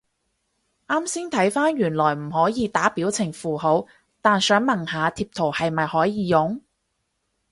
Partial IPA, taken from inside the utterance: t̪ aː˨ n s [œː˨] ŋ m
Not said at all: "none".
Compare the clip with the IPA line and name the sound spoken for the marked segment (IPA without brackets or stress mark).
œː˨˥